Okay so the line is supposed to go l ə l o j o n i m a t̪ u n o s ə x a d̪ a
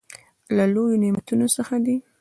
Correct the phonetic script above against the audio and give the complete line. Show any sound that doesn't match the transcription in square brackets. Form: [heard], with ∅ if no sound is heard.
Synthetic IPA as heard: l [a] l o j o n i m a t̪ u n o s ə x a d̪ [i]